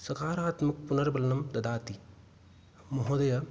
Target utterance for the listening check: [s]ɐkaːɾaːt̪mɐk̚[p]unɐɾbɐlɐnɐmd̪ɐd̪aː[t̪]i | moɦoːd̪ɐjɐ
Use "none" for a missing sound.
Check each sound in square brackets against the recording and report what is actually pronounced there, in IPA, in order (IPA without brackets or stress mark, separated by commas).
s, p, t̪